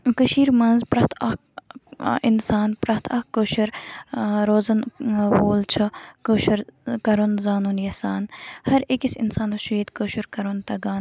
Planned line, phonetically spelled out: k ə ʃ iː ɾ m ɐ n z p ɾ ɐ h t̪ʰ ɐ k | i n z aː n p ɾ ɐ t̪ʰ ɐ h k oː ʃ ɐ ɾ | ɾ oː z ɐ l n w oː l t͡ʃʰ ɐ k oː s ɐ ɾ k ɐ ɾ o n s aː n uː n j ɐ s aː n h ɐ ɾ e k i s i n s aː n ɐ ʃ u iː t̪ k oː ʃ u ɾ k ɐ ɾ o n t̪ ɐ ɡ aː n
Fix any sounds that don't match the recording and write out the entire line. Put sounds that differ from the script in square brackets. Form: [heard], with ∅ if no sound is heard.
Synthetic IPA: k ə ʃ iː ɾ m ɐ n z p ɾ ɐ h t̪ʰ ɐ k | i n [s] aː n p ɾ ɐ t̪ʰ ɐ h k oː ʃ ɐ ɾ | ɾ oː z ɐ [∅] n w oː l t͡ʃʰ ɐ k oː [ʃ] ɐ ɾ k ɐ ɾ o n [z] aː n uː n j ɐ s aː n h ɐ ɾ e k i s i n s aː n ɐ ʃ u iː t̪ k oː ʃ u ɾ k ɐ ɾ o n t̪ ɐ ɡ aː n